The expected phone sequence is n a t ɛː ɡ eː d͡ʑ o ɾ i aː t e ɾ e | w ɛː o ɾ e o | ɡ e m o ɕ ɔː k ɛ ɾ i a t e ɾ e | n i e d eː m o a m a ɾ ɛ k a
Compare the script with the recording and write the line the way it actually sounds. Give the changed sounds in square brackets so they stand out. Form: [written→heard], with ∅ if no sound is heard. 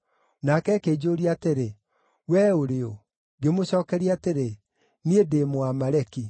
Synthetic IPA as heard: n a [t→k] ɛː [ɡ→k] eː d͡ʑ o ɾ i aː t e ɾ e | w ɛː o ɾ e o | ɡ e m o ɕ ɔː k ɛ ɾ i a t e ɾ e | n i e d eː m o a m a ɾ ɛ k [a→i]

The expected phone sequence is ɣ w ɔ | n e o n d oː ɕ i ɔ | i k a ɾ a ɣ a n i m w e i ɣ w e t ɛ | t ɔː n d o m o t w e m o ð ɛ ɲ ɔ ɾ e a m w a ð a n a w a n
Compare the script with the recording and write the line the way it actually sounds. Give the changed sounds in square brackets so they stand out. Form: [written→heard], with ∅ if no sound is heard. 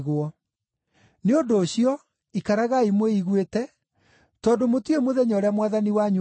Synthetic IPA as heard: ɣ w ɔ | n e o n d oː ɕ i ɔ | i k a ɾ a ɣ a [n→∅] i m w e i ɣ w e t ɛ | t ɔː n d o m o t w e m o ð ɛ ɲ ɔ ɾ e a m w a ð a n [a→i] w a [n→ɲ]

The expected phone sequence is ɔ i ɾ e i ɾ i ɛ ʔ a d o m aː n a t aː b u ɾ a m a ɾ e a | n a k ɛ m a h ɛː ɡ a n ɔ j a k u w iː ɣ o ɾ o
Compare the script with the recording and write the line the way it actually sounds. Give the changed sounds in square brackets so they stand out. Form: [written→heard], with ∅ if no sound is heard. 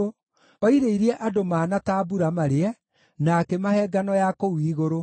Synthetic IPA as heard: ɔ i ɾ e i ɾ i ɛ ʔ a d o m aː n a t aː b u ɾ a m a ɾ e [a→ɛ] | n a k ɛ m a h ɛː ɡ a n ɔ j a k [u→o] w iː ɣ o ɾ o

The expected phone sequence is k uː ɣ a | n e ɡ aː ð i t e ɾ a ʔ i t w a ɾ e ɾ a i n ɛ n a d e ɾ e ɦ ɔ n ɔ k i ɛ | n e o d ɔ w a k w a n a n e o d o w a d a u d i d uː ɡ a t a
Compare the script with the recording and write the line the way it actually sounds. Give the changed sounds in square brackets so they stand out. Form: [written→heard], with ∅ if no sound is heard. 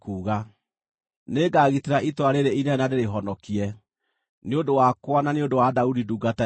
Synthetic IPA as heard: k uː ɣ a | n e ɡ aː [ð→ɣ] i t e ɾ a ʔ i t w a ɾ e ɾ [a→e] i n ɛ n a d e ɾ e ɦ ɔ n ɔ k i ɛ | n e o d [ɔ→o] w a k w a n a n e o d o w a d a u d i d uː ɡ a t a

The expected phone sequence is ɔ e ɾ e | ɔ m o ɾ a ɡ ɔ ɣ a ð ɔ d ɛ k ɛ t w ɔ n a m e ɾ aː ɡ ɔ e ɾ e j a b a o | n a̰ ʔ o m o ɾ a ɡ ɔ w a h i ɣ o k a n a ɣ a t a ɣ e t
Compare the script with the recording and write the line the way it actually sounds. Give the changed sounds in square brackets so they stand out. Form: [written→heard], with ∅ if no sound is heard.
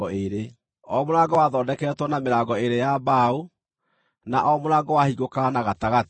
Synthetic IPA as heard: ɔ e ɾ e | ɔ m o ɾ a ɡ ɔ [ɣ→w] a ð ɔ d ɛ k ɛ t w ɔ n a m e ɾ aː ɡ ɔ e ɾ e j a b a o | n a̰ ʔ [o→ɔ] m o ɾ a ɡ ɔ w a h i ɣ o k a n a ɣ a t a ɣ [e→a] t

